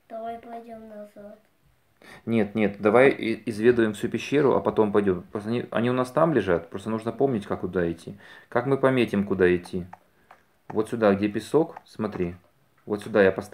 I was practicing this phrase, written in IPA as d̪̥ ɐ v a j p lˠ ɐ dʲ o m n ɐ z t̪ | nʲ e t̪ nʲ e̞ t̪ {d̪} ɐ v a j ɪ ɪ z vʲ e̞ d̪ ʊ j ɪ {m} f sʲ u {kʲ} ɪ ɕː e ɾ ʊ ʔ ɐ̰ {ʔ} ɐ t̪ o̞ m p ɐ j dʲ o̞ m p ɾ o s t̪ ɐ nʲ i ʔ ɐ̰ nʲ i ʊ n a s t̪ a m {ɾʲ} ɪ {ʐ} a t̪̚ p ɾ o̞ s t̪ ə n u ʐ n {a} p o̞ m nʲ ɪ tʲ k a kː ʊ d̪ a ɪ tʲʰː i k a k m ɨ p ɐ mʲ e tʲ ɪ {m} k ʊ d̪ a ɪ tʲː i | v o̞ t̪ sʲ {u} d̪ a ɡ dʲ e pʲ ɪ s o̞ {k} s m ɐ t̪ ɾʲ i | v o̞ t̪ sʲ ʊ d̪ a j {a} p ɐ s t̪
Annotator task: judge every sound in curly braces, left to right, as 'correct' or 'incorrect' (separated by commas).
correct, correct, incorrect, incorrect, incorrect, correct, incorrect, correct, incorrect, correct, correct